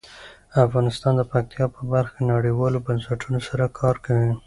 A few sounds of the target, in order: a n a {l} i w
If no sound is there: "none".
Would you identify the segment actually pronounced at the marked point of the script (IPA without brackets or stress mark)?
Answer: ɽ